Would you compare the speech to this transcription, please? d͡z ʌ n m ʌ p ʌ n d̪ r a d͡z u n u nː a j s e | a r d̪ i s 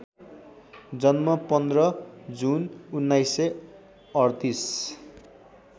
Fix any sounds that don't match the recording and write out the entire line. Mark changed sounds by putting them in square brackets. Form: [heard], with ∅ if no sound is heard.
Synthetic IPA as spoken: d͡z ʌ n m ʌ p ʌ n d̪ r [ʌ] d͡z u n u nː a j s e | [ʌ] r [t̪] i s